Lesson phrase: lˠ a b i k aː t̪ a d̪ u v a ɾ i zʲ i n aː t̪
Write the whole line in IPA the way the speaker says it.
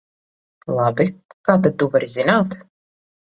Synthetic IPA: lˠ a b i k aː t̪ a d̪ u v a ɾ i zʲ i n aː t̪